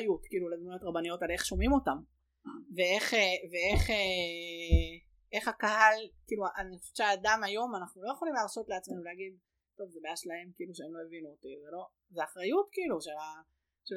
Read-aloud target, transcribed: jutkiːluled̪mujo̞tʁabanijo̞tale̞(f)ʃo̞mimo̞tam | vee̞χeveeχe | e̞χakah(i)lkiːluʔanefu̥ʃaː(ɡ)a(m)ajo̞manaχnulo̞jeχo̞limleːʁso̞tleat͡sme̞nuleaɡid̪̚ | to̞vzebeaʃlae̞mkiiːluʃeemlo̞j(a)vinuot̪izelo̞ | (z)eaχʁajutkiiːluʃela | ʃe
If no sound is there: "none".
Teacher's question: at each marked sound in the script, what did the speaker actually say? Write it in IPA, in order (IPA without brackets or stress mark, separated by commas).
χ, a, d, m, e, z